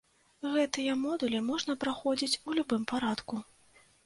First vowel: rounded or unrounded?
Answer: unrounded